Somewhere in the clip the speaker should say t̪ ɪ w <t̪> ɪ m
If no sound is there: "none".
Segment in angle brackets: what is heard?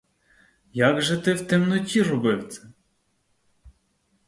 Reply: t̪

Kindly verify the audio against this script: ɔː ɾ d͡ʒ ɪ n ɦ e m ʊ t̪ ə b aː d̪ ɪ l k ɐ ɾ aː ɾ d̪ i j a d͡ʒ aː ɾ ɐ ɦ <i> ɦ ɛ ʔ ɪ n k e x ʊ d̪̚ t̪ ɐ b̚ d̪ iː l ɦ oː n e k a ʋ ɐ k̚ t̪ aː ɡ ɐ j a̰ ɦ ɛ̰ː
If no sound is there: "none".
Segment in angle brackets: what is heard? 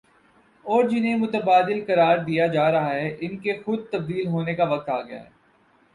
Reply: a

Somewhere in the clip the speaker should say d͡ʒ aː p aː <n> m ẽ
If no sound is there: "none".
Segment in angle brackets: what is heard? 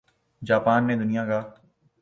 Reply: n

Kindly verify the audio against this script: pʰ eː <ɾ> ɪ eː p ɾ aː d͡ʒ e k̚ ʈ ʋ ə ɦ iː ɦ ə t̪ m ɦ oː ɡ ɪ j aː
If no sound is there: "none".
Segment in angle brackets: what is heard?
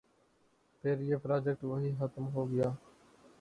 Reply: ɾ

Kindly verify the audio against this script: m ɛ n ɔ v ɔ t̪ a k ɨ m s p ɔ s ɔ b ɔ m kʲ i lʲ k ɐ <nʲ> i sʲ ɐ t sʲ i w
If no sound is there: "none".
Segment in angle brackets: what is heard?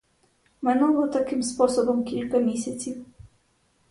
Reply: mʲ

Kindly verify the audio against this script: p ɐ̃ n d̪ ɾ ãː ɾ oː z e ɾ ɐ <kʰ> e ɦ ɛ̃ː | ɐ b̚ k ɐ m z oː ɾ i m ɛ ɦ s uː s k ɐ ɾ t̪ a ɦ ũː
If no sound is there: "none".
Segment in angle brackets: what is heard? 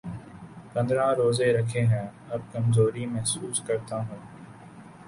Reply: kʰ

